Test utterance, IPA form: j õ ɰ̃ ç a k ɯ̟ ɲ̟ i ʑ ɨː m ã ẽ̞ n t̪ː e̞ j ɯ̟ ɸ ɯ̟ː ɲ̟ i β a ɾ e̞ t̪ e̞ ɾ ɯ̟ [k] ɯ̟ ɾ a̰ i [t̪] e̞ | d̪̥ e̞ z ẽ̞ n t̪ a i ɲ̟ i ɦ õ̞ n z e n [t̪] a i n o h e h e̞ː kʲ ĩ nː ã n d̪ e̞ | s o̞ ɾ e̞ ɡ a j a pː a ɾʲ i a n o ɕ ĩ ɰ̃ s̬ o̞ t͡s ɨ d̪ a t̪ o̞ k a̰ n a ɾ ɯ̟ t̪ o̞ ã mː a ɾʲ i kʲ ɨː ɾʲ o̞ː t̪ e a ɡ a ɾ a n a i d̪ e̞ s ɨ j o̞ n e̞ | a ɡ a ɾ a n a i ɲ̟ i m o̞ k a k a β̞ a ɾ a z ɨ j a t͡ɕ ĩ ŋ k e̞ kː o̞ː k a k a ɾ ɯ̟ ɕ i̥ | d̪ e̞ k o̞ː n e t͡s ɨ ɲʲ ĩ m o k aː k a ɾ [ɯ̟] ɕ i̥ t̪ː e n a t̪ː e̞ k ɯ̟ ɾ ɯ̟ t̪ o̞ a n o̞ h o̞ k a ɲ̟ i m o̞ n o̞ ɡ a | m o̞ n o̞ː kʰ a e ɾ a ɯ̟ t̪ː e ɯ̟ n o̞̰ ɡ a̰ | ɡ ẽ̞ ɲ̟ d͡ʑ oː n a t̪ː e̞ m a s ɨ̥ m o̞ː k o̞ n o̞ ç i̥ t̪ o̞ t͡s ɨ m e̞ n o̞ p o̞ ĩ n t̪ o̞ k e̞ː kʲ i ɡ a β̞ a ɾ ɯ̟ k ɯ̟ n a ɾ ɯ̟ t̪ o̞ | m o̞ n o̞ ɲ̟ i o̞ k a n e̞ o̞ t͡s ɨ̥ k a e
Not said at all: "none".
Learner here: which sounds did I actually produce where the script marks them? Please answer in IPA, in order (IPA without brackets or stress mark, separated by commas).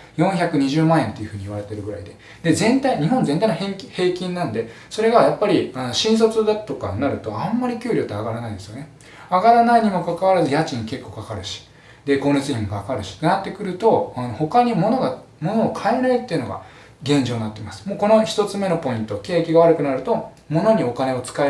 ɡ, d̪, t̪, ɯ̟